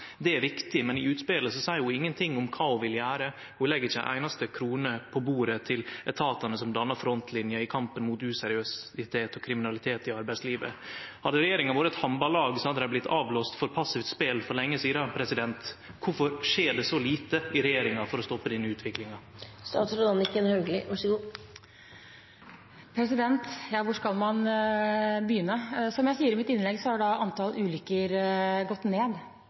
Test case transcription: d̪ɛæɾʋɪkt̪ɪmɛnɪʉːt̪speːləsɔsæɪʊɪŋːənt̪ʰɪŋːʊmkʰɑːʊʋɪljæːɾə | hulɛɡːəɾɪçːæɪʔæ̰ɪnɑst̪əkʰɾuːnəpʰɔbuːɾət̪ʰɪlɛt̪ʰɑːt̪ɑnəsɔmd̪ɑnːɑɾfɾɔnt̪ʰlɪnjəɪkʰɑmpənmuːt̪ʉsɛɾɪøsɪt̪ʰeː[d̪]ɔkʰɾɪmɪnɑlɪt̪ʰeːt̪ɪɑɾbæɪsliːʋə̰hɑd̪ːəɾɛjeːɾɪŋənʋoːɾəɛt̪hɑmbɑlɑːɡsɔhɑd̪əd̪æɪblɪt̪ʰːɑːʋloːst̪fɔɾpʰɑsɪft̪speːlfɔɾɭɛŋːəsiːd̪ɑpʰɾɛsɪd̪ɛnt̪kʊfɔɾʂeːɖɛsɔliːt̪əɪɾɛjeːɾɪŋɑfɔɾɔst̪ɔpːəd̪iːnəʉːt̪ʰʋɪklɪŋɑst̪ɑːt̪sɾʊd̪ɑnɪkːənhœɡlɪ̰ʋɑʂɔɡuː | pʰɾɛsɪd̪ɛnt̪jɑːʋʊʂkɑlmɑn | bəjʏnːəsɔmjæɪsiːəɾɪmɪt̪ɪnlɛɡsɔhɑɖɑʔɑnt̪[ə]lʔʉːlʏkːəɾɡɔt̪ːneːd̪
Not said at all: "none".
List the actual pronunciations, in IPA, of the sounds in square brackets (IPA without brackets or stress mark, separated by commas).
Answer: t̪, ɑ